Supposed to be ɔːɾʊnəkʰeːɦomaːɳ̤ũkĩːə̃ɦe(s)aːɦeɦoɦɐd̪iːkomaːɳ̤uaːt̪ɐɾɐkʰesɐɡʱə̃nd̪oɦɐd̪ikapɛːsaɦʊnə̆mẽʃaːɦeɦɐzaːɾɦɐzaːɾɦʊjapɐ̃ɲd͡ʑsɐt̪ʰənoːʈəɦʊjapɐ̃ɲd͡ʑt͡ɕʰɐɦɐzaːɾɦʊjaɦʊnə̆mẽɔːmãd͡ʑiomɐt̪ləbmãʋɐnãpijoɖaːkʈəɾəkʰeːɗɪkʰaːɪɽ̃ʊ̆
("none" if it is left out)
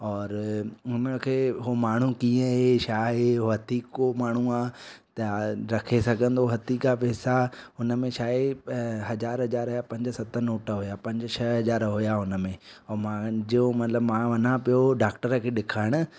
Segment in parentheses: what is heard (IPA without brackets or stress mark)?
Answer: ʃ